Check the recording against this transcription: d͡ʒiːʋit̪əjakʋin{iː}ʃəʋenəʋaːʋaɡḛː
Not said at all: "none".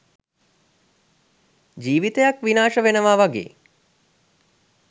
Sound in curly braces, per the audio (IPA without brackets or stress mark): aː